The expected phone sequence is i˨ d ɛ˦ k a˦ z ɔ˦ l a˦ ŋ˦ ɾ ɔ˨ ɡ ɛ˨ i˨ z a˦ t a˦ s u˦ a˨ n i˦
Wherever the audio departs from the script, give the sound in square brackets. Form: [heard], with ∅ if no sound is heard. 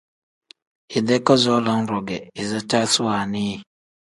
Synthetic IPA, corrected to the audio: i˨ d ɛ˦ k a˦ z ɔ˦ l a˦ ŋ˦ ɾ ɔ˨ ɡ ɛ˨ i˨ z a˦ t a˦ s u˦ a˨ n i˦